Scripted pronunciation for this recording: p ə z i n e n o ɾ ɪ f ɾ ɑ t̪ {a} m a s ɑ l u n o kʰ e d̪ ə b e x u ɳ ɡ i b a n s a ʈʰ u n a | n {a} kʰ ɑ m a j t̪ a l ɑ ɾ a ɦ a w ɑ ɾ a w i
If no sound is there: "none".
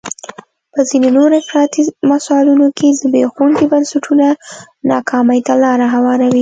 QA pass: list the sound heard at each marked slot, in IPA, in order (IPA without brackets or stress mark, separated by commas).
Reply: i, ɑ